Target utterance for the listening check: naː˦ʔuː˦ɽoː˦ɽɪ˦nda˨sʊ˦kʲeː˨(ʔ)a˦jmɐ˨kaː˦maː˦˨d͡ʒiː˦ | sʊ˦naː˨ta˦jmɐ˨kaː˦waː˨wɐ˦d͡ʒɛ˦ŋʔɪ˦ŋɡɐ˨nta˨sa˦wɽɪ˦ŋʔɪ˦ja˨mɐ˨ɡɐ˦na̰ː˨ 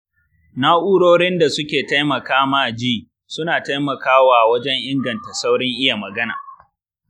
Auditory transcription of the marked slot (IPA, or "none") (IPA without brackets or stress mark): t